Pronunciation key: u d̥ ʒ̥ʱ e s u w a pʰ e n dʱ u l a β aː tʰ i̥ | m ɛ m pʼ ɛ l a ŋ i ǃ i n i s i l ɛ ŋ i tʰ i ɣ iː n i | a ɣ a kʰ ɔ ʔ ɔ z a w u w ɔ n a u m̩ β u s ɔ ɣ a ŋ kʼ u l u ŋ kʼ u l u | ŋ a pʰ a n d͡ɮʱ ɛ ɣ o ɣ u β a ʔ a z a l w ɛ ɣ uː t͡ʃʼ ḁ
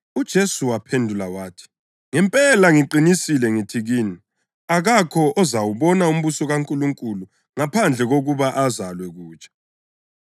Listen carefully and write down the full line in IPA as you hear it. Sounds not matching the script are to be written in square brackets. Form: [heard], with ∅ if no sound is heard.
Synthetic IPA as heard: u d̥ ʒ̥ʱ e s u w a pʰ e n dʱ u l a [w] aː tʰ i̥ | [ŋ] ɛ m pʼ ɛ l a ŋ i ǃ i n i s i l ɛ ŋ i tʰ i ɣ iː n i | a ɣ a kʰ ɔ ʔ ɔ z a w u [β] ɔ n a u m̩ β u s ɔ ɣ a ŋ kʼ u l u ŋ kʼ u l u | ŋ a pʰ a n d͡ɮʱ ɛ ɣ o ɣ u β a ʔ a z a l w ɛ ɣ uː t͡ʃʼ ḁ